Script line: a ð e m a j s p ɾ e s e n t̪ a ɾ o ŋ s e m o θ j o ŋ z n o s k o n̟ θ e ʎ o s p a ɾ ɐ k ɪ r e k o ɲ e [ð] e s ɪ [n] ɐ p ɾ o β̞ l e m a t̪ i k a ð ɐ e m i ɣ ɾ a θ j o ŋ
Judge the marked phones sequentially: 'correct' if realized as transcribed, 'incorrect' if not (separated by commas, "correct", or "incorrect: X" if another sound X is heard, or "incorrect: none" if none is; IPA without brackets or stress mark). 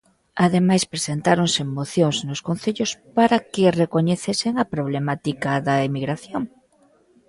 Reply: incorrect: θ, incorrect: ŋ